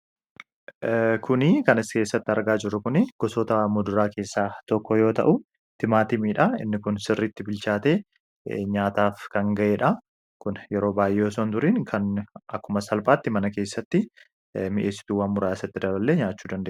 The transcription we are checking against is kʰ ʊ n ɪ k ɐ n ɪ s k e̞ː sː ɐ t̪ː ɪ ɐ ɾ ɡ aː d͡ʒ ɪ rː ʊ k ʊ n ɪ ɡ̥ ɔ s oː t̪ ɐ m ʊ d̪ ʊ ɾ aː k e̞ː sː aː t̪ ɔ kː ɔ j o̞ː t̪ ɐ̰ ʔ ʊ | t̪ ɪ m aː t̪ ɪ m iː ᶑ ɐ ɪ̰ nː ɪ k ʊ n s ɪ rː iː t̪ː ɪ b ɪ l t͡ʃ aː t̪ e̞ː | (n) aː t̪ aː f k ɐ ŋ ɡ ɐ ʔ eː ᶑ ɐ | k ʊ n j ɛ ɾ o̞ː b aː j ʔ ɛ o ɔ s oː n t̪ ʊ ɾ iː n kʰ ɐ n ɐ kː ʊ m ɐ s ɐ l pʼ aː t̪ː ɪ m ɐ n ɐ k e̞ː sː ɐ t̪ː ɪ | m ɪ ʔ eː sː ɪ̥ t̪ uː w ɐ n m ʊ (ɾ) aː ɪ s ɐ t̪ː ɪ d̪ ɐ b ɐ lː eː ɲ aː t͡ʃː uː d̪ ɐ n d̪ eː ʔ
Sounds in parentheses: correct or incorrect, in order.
incorrect, correct

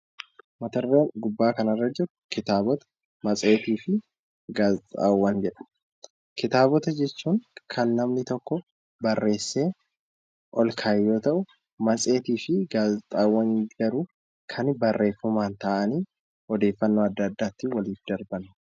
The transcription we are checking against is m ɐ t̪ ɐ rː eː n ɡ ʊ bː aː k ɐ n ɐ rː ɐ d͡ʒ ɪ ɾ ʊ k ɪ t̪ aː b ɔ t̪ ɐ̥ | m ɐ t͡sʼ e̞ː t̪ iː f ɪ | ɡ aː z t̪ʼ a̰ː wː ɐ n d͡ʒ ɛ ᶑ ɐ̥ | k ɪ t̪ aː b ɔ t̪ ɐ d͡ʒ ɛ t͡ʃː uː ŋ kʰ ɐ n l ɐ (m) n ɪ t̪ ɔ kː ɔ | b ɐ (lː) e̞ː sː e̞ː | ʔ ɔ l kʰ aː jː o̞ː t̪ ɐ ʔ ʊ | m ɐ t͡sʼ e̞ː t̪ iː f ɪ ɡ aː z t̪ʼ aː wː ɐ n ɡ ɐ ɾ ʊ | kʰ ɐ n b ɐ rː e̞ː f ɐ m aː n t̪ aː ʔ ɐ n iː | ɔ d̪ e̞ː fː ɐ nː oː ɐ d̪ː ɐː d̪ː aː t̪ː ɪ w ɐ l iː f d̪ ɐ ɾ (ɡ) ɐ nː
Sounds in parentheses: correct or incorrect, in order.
correct, incorrect, incorrect

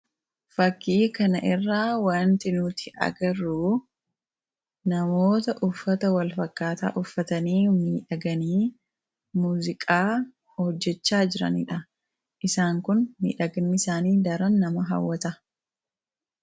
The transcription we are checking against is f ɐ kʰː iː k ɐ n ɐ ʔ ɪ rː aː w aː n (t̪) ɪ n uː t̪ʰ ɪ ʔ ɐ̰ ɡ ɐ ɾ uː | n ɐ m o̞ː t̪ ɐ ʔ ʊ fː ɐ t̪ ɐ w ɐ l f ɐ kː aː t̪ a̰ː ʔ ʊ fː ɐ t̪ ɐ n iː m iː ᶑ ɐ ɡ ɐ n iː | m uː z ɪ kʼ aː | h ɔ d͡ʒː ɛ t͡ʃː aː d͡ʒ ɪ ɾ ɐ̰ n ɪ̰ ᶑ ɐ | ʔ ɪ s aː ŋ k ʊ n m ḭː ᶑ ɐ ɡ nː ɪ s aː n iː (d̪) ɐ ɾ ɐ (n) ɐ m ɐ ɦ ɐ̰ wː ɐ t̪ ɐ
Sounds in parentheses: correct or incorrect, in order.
correct, correct, incorrect

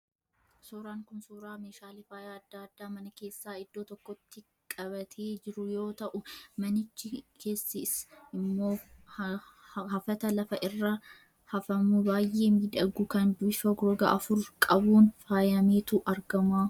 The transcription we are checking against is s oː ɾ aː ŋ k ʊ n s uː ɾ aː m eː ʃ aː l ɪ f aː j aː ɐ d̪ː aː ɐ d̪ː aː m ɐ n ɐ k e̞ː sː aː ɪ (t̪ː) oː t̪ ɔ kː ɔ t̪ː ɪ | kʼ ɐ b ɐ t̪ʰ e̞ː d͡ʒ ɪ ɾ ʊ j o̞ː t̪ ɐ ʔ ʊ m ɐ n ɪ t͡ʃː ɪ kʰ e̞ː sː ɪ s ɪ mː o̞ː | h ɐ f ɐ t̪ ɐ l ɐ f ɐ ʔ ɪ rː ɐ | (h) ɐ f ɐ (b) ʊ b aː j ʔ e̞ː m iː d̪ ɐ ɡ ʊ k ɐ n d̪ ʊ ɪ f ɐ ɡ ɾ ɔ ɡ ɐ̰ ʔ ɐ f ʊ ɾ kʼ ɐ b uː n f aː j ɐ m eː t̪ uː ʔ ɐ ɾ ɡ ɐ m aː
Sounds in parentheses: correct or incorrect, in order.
incorrect, correct, incorrect

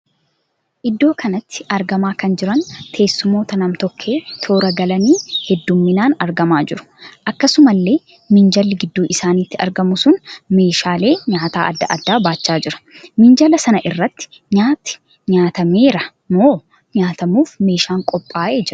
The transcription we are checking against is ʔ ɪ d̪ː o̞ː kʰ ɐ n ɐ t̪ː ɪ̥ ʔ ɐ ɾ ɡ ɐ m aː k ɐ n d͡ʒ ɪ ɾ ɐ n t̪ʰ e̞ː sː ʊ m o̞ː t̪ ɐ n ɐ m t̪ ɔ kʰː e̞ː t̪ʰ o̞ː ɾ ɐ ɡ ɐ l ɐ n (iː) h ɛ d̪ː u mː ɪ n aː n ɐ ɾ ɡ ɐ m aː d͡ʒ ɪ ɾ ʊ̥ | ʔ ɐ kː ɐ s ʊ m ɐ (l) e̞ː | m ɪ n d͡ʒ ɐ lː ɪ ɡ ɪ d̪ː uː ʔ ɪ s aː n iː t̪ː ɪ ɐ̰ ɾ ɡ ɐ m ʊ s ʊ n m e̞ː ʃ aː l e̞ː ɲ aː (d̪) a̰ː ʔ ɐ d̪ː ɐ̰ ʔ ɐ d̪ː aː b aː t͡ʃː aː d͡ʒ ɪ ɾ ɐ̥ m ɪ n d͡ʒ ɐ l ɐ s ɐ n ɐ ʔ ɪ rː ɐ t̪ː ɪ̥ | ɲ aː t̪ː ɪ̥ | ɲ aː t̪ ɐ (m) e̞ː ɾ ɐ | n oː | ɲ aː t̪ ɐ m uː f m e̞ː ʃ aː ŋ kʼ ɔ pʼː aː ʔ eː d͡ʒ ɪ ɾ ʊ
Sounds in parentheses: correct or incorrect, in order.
correct, incorrect, incorrect, correct

